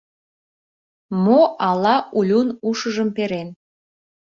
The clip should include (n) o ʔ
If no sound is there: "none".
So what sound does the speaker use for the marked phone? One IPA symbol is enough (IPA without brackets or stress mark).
m